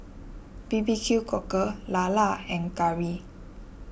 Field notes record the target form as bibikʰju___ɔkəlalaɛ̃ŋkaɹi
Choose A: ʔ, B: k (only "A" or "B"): B